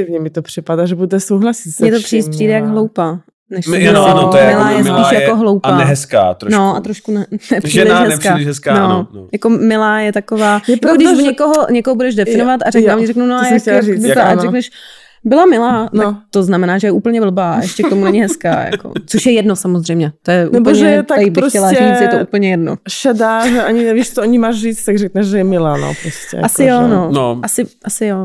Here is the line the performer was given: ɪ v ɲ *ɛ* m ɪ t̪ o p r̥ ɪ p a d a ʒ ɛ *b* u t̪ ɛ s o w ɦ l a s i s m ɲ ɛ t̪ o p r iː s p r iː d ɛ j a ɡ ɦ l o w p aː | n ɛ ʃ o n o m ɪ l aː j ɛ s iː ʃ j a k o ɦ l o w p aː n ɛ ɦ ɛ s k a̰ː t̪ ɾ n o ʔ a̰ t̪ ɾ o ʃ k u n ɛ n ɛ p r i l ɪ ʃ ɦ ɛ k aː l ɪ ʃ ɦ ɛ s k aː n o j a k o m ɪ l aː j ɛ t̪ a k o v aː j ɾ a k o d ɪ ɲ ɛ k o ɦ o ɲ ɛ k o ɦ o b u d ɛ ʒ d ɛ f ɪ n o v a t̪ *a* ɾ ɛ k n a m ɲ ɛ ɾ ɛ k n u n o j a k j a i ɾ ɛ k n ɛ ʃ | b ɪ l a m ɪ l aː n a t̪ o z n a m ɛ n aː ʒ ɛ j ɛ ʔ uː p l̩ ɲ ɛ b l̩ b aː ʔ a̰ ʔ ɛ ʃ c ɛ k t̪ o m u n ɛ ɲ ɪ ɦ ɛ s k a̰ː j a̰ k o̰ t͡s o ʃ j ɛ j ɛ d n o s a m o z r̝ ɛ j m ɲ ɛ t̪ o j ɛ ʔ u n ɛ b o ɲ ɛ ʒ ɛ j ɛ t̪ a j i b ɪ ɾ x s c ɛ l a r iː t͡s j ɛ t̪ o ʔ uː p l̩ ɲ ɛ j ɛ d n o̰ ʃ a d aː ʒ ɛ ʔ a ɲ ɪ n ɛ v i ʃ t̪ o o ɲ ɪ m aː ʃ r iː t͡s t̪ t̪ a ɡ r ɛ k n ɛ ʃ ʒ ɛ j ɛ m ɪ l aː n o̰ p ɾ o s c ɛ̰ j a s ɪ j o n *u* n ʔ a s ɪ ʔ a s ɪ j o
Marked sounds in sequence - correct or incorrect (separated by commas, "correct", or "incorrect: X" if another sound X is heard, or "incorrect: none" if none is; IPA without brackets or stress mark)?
correct, correct, correct, incorrect: o